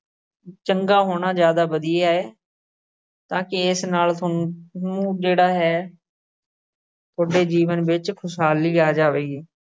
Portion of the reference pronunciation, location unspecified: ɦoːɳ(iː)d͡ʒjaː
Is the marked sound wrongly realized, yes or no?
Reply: yes